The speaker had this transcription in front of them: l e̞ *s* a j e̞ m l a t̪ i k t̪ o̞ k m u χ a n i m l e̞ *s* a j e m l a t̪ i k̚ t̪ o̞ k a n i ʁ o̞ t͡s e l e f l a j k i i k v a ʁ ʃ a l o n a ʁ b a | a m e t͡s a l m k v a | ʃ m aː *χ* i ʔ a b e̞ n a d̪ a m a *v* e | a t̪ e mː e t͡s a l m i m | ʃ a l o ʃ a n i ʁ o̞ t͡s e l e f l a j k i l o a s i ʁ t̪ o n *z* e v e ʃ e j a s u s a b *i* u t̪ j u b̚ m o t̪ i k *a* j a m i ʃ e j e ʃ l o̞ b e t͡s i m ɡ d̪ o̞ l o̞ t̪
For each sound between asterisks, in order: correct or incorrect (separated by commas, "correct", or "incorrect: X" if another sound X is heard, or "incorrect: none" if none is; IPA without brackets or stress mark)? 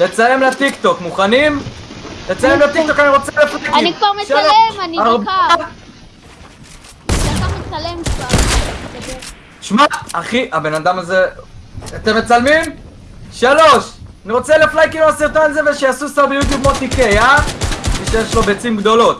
incorrect: t͡s, incorrect: t͡s, correct, incorrect: z, correct, incorrect: j, incorrect: e